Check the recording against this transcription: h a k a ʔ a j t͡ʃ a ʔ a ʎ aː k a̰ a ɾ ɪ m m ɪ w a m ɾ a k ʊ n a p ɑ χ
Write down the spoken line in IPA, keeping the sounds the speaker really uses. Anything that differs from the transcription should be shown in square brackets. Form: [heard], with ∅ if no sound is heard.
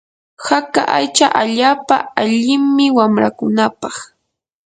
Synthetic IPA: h a k a ʔ a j t͡ʃ a ʔ a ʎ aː [p] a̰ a [ʎ] ɪ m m ɪ w a m ɾ a k ʊ n a p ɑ χ